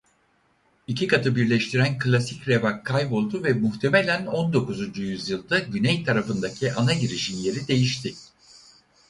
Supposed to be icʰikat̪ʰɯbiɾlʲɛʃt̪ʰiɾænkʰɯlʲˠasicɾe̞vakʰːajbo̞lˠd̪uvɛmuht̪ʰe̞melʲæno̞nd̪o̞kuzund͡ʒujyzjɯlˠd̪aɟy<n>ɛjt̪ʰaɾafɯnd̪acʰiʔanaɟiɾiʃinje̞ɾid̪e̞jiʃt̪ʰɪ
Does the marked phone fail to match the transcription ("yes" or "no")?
no